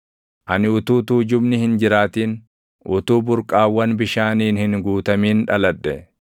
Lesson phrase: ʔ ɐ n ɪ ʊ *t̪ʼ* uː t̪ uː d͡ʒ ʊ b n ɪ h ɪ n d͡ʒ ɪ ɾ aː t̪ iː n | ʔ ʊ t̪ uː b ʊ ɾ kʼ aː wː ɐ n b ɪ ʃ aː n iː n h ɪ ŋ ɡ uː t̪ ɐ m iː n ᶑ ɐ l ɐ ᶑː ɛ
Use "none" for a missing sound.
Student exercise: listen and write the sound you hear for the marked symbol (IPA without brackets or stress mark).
t̪